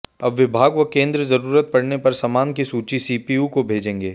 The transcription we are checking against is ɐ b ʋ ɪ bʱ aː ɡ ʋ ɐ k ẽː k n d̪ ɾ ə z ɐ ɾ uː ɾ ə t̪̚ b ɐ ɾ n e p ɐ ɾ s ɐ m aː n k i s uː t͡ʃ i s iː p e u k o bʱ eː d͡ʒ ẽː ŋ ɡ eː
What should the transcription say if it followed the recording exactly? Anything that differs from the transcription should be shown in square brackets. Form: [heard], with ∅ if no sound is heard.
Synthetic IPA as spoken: ɐ b ʋ ɪ bʱ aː ɡ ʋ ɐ k ẽː [∅] n d̪ ɾ ə z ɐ ɾ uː ɾ ə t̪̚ [p] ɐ [ɽ] n e p ɐ ɾ s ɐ m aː n k i s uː t͡ʃ i s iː p [i] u k o bʱ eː d͡ʒ ẽː ŋ ɡ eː